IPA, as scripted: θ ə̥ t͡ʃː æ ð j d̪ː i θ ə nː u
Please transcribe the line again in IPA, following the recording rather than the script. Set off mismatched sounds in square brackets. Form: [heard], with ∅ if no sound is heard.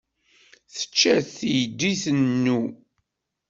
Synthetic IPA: θ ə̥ t͡ʃː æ [θ] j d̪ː i θ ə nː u

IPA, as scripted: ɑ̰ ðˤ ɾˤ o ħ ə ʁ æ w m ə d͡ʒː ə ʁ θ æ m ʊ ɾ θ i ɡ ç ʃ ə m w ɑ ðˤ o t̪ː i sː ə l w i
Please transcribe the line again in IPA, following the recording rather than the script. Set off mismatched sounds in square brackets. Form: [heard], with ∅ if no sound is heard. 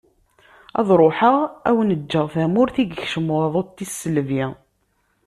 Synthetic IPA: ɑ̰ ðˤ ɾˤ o ħ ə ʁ æ w [n] ə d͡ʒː ə ʁ θ æ m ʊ ɾ θ i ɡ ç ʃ ə m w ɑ ðˤ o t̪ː i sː ə l [v] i

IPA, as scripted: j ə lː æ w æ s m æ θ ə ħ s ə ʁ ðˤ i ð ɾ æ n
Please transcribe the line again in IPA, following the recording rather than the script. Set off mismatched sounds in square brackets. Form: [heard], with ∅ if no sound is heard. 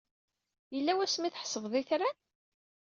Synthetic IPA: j ə lː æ w æ s m [i] θ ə ħ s ə [v] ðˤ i [θ] ɾ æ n

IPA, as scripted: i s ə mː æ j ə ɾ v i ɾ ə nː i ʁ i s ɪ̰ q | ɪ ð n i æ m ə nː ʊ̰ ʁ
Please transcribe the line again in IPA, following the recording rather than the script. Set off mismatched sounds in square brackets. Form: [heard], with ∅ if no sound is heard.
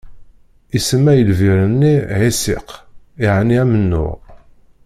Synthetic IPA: i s ə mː æ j ə [l] v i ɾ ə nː i [ʕ] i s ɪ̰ q | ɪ [ʕ] n i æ m ə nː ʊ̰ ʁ

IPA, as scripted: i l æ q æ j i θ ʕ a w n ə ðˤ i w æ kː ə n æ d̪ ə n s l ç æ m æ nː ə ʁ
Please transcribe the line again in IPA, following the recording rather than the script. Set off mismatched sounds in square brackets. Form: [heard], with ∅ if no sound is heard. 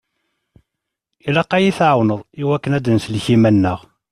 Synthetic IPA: i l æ q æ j i θ ʕ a w n ə ðˤ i w æ kː ə n æ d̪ ə n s l ç [i] m æ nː ə ʁ

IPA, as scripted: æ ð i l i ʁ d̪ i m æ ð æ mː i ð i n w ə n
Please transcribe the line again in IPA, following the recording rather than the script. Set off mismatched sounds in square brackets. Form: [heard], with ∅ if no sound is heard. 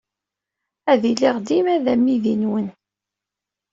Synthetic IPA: æ ð i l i ʁ d̪ i m æ ð æ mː i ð i n w ə n

